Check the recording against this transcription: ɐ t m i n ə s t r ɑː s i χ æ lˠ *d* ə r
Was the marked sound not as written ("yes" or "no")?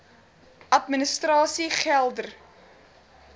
no